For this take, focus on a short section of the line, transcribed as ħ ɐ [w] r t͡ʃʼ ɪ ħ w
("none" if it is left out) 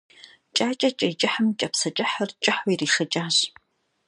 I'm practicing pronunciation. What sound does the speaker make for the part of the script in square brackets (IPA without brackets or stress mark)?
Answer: none